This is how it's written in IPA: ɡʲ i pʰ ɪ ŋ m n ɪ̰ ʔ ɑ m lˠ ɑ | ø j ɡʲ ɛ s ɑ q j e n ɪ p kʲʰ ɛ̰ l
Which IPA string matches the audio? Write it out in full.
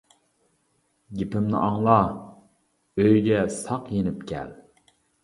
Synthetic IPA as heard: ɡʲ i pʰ ɪ m n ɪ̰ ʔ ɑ ŋ lˠ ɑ | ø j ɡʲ ɛ s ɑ q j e n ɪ p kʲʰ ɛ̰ l